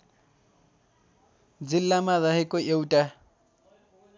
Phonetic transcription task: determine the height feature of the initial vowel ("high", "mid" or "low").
high